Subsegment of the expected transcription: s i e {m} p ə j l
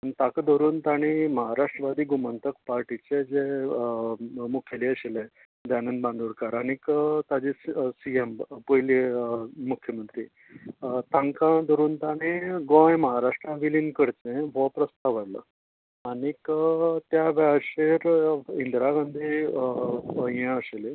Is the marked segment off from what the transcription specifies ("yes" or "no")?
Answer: no